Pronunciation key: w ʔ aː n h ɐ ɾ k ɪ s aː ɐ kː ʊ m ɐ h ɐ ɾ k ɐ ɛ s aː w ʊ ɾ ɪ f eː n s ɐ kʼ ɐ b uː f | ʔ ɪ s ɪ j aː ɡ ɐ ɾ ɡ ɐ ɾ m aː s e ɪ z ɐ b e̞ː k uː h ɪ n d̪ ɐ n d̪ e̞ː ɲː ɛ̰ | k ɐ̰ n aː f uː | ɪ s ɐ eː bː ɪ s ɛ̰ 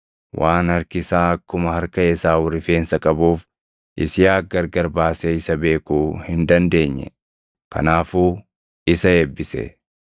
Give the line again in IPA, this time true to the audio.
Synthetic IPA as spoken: w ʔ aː n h ɐ ɾ k ɪ s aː ɐ kː ʊ m ɐ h ɐ ɾ k ɐ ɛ s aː w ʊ ɾ ɪ f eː n s ɐ kʼ ɐ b uː f | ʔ ɪ s ɪ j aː ɡ ɐ ɾ ɡ ɐ ɾ b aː s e ɪ s ɐ b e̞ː k uː h ɪ n d̪ ɐ n d̪ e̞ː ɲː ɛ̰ | k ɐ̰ n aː f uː | ɪ s ɐ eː bː ɪ s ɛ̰